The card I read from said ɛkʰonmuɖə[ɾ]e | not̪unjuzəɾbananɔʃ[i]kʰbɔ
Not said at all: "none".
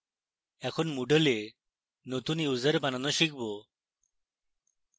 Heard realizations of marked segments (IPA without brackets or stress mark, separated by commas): l, i